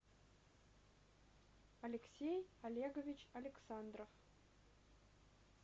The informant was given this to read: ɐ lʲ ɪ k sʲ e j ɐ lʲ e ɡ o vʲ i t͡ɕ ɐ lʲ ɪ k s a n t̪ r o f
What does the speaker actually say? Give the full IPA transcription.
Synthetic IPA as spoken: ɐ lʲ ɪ k sʲ e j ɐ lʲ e ɡ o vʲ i t͡ɕ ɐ lʲ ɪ k s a n d̪ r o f